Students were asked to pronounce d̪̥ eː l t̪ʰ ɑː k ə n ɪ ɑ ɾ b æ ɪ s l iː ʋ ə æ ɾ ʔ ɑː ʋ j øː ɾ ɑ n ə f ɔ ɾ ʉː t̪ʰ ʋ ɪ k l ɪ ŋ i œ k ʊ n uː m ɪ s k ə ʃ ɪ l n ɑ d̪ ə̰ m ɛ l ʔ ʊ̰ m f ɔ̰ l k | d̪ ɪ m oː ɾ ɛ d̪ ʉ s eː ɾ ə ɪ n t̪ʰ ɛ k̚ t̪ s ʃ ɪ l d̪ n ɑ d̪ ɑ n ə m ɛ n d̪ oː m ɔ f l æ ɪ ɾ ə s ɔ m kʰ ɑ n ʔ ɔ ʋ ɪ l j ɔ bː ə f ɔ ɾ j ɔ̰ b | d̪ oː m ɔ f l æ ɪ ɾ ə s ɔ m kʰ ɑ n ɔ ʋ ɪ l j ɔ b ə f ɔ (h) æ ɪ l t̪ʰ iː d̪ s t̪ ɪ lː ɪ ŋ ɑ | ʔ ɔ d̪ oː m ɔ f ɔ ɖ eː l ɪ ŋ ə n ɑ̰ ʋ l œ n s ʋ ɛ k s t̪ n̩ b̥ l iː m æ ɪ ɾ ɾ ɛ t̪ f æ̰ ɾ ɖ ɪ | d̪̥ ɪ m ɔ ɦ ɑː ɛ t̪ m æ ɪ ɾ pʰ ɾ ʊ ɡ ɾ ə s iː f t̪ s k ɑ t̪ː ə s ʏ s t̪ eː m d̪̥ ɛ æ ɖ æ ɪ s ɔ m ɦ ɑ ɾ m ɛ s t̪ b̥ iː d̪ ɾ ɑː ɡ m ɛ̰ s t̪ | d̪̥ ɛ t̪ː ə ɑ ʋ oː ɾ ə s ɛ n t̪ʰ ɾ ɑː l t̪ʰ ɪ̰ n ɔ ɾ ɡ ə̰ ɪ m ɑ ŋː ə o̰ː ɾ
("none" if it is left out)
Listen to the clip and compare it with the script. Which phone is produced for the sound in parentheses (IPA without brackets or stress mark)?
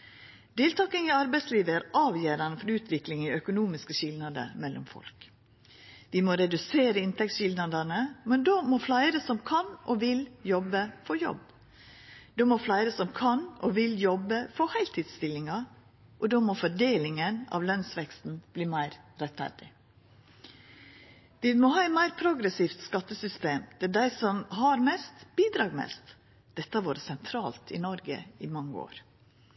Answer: h